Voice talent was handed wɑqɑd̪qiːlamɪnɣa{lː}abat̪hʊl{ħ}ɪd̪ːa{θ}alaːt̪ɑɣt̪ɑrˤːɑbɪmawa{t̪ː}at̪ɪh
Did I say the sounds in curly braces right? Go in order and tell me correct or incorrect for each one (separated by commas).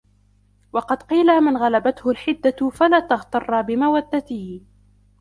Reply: incorrect, correct, incorrect, incorrect